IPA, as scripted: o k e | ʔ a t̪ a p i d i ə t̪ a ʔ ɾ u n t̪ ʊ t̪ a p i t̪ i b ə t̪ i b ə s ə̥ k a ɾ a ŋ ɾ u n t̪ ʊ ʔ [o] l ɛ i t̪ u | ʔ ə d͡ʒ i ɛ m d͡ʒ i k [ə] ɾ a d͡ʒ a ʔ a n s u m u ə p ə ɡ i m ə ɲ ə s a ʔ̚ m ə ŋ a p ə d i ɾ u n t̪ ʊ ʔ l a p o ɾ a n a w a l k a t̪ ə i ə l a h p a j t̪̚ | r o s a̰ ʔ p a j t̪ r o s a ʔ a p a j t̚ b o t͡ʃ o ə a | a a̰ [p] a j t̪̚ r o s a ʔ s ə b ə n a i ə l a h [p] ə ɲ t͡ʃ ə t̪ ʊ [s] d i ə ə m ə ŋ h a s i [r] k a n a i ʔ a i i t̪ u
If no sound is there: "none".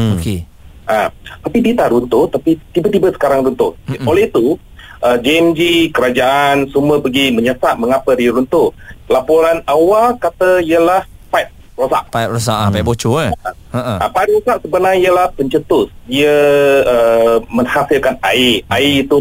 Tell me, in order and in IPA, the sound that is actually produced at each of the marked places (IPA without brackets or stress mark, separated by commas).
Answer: o, ə, p, p, s, l